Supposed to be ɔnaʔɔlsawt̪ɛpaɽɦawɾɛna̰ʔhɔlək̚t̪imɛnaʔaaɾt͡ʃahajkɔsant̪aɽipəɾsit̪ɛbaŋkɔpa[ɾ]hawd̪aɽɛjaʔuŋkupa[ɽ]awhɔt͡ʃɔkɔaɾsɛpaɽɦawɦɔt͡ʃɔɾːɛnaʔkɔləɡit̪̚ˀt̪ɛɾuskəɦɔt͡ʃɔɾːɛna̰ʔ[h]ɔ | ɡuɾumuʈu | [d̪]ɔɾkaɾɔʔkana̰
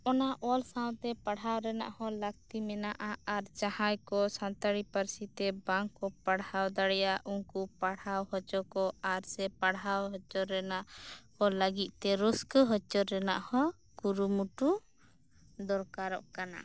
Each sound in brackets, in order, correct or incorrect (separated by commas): incorrect, correct, correct, correct